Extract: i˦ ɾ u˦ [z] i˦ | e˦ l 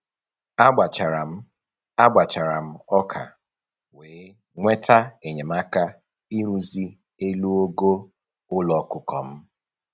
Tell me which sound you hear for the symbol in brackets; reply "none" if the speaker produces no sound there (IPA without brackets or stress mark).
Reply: z